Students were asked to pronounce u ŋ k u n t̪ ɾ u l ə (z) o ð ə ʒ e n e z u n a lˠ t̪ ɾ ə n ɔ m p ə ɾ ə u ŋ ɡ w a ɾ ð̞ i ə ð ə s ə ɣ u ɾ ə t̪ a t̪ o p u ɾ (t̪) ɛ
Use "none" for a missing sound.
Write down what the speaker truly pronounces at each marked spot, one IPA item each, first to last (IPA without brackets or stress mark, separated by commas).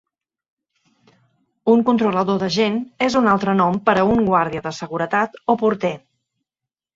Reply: ð, t̪